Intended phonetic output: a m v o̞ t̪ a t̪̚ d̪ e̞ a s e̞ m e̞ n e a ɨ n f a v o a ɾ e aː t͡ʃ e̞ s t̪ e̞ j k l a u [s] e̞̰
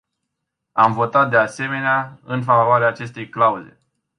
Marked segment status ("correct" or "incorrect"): incorrect